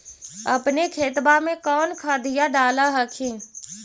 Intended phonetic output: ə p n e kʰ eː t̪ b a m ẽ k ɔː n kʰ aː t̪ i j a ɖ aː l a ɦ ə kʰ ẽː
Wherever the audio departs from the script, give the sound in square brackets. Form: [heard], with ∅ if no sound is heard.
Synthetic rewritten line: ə p n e kʰ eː t̪ b a m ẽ k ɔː n kʰ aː [d̪] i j a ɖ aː l a ɦ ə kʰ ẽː